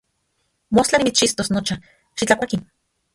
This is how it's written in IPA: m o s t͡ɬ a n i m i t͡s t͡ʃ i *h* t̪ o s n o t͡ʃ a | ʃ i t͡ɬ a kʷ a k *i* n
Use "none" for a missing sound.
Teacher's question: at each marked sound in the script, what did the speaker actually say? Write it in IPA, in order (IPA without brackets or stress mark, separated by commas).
s, i